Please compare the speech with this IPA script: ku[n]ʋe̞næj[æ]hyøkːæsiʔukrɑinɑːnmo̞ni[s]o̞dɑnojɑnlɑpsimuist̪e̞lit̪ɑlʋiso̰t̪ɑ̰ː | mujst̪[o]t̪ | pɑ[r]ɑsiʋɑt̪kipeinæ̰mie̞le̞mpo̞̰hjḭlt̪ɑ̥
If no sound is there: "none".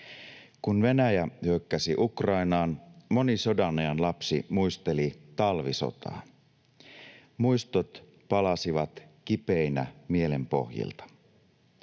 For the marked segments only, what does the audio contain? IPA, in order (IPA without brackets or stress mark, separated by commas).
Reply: n, æ, s, o, l